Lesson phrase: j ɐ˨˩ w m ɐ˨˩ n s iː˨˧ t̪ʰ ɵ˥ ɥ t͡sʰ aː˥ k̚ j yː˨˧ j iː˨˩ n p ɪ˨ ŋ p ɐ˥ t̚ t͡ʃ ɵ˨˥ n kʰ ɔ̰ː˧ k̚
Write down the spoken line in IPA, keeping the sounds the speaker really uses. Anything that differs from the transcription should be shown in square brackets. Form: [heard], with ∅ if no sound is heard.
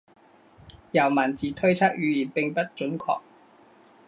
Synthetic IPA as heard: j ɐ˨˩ w m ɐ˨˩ n [t͡s] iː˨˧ t̪ʰ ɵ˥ ɥ t͡sʰ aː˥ k̚ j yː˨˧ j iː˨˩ n p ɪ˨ ŋ p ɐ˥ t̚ t͡ʃ ɵ˨˥ n kʰ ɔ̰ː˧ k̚